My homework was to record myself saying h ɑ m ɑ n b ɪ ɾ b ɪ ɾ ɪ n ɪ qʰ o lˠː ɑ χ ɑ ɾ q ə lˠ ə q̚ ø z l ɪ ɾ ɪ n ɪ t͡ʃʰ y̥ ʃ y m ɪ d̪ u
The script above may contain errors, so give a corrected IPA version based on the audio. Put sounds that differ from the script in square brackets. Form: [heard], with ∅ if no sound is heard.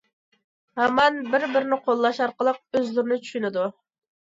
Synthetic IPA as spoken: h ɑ m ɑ n b ɪ ɾ b ɪ ɾ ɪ n ɪ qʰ o lˠː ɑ [ʃ] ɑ ɾ q ə lˠ ə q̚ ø z l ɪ ɾ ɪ n ɪ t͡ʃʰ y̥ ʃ y [n] ɪ d̪ u

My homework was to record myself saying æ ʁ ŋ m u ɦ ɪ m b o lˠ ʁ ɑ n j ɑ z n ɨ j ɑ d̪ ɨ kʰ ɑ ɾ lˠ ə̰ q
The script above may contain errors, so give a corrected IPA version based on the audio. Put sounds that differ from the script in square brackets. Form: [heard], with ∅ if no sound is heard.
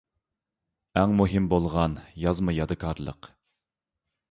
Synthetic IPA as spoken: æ [∅] ŋ m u ɦ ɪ m b o lˠ ʁ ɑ n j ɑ z [m] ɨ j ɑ d̪ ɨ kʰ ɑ ɾ lˠ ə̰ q

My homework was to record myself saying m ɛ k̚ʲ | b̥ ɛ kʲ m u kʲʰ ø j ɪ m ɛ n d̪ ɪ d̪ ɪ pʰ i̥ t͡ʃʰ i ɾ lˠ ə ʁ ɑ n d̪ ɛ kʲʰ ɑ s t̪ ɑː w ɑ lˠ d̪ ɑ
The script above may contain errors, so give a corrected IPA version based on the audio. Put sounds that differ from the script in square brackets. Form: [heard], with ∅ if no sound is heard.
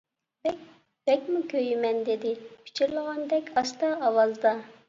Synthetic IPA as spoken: [b] ɛ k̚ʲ | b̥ ɛ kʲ m u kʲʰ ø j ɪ m ɛ n d̪ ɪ d̪ ɪ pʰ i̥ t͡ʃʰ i ɾ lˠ ə ʁ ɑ n d̪ ɛ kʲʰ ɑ s t̪ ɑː w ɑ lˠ d̪ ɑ

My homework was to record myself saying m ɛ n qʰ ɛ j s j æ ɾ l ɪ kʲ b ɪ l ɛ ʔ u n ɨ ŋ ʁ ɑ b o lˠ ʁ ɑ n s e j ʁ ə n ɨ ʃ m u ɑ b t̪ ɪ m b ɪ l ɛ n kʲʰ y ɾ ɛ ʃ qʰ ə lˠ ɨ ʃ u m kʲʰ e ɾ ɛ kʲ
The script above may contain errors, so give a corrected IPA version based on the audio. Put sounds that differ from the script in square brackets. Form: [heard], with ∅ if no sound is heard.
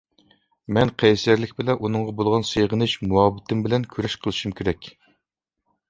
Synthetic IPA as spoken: m ɛ n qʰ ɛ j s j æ ɾ l ɪ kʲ b ɪ l ɛ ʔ u n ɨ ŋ ʁ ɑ b o lˠ ʁ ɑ n s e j ʁ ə n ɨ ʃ m u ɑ b t̪ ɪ m b ɪ l ɛ n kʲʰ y ɾ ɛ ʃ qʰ ə lˠ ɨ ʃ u m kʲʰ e ɾ ɛ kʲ

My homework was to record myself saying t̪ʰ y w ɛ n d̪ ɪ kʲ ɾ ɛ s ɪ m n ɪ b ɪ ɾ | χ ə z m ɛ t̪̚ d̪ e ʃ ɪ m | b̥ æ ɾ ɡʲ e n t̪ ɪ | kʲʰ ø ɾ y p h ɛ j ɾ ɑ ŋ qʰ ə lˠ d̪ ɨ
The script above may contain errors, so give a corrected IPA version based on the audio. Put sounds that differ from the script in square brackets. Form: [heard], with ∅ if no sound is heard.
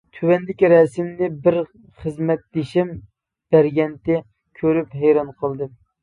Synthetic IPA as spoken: t̪ʰ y w ɛ n d̪ ɪ kʲ ɾ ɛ s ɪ m n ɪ b ɪ ɾ | χ ə z m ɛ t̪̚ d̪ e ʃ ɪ m | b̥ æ ɾ ɡʲ [ɛ] n t̪ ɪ | kʲʰ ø ɾ y p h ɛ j ɾ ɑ [n] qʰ ə lˠ d̪ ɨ

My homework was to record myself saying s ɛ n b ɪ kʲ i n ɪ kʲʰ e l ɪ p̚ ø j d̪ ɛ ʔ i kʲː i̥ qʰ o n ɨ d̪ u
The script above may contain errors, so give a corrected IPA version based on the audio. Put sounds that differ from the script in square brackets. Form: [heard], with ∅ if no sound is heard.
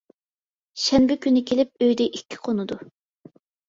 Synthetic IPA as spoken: [ʃ] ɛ n b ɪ kʲ [y] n ɪ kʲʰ e l ɪ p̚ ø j d̪ ɛ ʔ i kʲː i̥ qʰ o n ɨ d̪ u

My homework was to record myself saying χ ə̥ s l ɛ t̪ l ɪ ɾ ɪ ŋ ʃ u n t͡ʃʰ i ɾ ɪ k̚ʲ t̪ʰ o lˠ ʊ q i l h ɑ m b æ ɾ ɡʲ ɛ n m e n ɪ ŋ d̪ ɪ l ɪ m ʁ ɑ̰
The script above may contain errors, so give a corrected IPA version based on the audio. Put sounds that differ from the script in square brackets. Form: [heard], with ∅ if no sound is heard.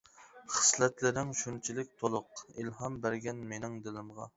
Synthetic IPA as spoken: χ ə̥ s l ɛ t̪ l ɪ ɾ ɪ ŋ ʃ u n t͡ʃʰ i [l] ɪ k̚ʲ t̪ʰ o lˠ ʊ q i l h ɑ m b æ ɾ ɡʲ ɛ n m e n ɪ ŋ d̪ ɪ l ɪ m ʁ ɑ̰

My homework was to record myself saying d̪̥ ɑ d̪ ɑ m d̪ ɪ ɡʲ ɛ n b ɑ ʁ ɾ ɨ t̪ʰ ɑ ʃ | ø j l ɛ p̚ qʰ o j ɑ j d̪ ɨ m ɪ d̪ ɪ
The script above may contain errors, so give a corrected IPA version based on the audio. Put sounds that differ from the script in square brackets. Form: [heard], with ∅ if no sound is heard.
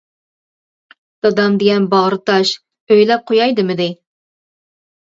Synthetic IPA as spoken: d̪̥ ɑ d̪ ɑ m d̪ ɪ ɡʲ ɛ n b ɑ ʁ ɾ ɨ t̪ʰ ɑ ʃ | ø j l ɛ p̚ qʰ o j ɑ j d̪ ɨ m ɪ d̪ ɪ

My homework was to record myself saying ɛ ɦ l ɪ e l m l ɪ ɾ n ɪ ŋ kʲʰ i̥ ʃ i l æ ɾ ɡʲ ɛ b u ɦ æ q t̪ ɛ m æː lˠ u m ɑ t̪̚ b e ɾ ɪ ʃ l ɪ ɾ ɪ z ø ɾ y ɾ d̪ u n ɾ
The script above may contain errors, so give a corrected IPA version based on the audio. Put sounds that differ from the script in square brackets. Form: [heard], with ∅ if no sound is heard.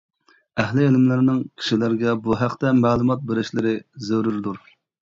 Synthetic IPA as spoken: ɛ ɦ l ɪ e l m l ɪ ɾ n ɪ ŋ kʲʰ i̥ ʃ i l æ ɾ ɡʲ ɛ b u ɦ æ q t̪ ɛ m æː lˠ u m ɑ t̪̚ b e ɾ ɪ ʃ l ɪ ɾ ɪ z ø ɾ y ɾ d̪ u [∅] ɾ

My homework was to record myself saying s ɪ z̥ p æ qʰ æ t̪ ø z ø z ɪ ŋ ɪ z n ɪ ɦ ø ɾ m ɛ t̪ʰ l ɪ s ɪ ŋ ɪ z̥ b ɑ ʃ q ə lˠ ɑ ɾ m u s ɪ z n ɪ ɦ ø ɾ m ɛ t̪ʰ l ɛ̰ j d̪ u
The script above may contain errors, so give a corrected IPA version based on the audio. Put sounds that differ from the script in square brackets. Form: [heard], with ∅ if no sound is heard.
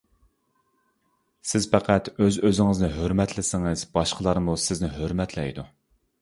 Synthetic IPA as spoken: s ɪ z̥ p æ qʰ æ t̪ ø z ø z ɪ ŋ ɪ z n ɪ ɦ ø ɾ m ɛ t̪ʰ l ɪ s ɪ ŋ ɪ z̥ b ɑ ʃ q ə lˠ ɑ ɾ m u s ɪ z n ɪ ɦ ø ɾ m ɛ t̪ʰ l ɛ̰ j d̪ u

